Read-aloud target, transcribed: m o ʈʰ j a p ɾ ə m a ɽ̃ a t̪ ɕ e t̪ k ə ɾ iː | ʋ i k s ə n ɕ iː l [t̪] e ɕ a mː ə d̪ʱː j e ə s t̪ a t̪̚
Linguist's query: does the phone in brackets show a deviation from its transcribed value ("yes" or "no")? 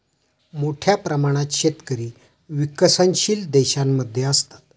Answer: yes